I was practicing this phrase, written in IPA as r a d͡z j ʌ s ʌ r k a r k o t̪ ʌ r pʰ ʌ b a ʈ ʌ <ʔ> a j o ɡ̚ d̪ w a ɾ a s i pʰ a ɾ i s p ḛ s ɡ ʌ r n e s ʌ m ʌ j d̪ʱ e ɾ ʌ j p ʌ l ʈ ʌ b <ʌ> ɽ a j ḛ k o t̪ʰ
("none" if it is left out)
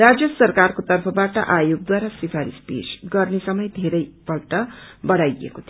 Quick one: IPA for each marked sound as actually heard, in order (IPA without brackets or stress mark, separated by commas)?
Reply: ʔ, ʌ